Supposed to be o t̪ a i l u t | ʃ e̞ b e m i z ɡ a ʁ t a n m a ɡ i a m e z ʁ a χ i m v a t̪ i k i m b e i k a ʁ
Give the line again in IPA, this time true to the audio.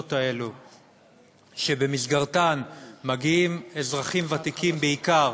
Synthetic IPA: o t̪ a e l u | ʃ e̞ b e m i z ɡ a ʁ t a n m a ɡ i i m e z ʁ a χ i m v a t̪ i k i m b e i k a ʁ